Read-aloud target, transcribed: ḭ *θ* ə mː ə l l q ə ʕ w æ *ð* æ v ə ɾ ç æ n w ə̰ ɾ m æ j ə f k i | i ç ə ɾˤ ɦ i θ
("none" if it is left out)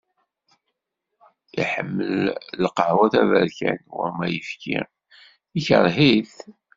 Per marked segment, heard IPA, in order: ħ, θ

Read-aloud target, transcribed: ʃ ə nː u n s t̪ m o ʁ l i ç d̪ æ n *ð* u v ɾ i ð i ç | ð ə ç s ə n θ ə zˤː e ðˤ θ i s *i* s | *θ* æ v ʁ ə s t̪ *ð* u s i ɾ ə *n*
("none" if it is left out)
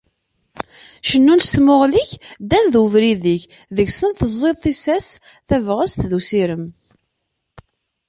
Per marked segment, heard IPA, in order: ð, æ, θ, ð, m

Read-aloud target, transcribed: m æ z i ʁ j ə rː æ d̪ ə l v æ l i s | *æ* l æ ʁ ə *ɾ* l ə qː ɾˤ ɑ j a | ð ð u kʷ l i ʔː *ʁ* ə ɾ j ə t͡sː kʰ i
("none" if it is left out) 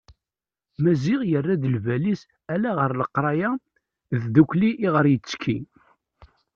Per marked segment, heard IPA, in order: æ, ɾ, ʁ

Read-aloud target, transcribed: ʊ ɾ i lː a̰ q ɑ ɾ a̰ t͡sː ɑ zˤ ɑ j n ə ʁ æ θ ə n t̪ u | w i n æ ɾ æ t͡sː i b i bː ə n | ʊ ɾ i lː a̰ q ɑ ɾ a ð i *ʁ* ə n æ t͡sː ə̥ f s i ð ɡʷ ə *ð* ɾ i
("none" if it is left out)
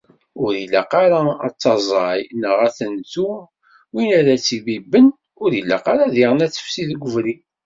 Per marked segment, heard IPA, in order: ʁ, v

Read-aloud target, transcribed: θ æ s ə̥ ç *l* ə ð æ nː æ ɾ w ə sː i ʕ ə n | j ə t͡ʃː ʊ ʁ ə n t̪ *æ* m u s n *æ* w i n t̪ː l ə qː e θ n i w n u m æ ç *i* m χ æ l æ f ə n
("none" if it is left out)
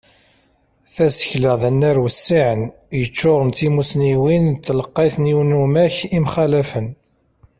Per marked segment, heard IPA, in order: l, i, i, i

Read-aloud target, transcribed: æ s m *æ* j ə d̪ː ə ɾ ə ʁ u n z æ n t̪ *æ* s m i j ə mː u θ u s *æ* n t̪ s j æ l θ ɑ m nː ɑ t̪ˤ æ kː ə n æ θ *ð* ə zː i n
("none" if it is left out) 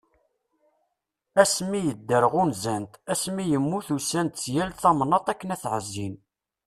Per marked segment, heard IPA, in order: i, æ, æ, ʕ

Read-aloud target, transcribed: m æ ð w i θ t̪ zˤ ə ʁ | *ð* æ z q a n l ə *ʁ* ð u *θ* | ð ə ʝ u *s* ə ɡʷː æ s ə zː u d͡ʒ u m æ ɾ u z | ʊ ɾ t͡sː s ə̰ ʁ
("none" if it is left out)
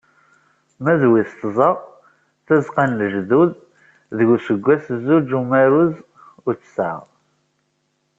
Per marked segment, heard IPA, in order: θ, ʒ, ð, s

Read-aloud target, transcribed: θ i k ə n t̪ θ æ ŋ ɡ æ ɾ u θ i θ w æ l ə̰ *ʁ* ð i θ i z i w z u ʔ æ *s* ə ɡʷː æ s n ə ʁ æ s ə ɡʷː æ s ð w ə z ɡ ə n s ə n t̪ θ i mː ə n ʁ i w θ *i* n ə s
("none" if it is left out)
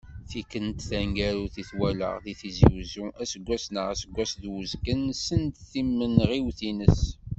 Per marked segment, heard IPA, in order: ʁ, s, i

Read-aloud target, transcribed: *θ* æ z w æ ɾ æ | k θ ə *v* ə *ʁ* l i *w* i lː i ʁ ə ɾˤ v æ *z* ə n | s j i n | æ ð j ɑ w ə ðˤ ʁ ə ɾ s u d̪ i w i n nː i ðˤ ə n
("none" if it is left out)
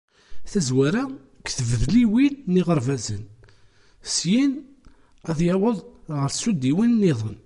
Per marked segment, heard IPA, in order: θ, v, v, w, z

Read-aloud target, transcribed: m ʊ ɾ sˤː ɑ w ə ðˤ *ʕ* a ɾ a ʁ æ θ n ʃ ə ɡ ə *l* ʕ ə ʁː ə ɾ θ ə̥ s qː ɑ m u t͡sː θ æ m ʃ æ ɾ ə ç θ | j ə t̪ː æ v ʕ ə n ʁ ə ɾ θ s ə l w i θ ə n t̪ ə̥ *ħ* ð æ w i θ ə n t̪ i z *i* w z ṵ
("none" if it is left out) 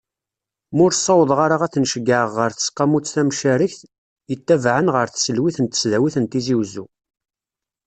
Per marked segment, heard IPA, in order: ʁ, none, s, i

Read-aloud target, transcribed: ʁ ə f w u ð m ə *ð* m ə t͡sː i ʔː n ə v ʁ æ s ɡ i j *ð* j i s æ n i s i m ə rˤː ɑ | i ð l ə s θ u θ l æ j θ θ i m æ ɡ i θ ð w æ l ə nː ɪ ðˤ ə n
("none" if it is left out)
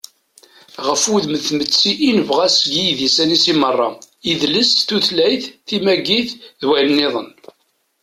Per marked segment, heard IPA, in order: θ, ð

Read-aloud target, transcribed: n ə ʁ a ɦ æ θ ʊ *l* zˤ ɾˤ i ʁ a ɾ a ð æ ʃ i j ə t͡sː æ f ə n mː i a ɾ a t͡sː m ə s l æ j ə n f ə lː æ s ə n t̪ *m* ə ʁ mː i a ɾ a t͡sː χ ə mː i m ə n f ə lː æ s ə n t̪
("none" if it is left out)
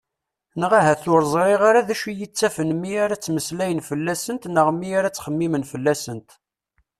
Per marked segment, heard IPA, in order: ɾ, n

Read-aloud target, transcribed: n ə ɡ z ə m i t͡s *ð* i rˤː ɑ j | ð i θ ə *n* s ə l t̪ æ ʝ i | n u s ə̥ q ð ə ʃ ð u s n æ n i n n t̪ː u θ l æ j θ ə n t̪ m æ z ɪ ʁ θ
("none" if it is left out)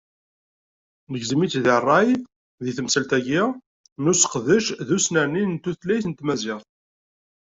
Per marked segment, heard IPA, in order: ð, m

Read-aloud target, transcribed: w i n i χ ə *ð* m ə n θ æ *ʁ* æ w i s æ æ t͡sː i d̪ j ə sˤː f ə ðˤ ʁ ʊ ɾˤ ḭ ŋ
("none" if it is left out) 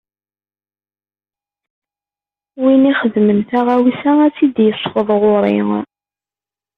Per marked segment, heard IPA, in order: ð, ʁ

